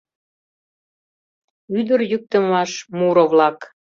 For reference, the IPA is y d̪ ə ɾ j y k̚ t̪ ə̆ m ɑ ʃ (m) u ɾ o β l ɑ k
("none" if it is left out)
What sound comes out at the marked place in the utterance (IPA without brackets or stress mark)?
m